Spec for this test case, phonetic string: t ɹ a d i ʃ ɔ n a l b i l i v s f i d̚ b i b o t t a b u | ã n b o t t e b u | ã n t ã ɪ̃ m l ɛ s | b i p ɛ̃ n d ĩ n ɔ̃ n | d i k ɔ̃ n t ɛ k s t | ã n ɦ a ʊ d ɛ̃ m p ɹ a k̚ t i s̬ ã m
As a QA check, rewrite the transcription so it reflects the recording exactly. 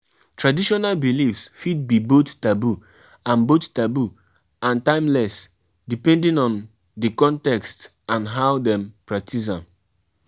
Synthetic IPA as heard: t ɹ a d i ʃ ɔ n a l b i l i f s f i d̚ b i b o t t a b u | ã n b o t t a b u | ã n t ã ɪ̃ m l ɛ s | d i p ɛ̃ n d ĩ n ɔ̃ n | d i k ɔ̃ n t ɛ k s t | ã n ɦ a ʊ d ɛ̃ m p ɹ a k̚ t i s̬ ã m